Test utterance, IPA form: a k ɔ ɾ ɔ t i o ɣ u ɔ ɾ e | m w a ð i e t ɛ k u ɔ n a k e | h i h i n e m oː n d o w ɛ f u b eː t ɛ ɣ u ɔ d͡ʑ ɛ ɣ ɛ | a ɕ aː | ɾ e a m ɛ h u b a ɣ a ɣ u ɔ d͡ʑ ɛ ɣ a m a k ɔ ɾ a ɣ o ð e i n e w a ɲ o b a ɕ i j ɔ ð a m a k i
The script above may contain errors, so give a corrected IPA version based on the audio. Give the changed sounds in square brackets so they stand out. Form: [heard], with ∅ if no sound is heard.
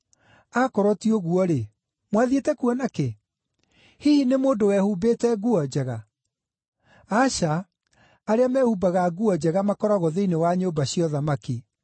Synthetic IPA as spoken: a k ɔ ɾ ɔ t i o ɣ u ɔ ɾ e | m w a ð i e t ɛ k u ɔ n a k e | h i h i n e m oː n d o w ɛ [h] u b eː t ɛ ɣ u ɔ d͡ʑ ɛ ɣ [a] | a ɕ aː | ɾ e a m ɛ h u b a ɣ a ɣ u ɔ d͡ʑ ɛ ɣ a m a k ɔ ɾ a ɣ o ð e i n e w a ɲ o b a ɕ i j ɔ ð a m a k i